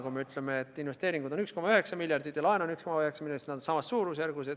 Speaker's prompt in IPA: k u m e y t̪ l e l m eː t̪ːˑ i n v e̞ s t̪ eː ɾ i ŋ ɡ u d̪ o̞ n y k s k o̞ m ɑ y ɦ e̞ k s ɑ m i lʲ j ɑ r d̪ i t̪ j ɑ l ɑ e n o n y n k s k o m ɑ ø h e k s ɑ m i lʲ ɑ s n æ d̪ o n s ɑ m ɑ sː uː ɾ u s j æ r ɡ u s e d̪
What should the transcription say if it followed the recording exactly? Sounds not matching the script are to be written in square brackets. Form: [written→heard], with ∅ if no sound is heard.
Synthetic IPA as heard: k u m e y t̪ l e [l→∅] m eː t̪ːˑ i n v e̞ s t̪ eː ɾ i ŋ ɡ u d̪ o̞ n y k s k o̞ m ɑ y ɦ e̞ k s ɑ m i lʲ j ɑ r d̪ i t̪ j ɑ l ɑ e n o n y [n→∅] k s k o m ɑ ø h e k s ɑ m i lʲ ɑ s n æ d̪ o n s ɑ m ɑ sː uː ɾ u s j æ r ɡ u s e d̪